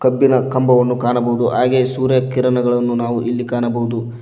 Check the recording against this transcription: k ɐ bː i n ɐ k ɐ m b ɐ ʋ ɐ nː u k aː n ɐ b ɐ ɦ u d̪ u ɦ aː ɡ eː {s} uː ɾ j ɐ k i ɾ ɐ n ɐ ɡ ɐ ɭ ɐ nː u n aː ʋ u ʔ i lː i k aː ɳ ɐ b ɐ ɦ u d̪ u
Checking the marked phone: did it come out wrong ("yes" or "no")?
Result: no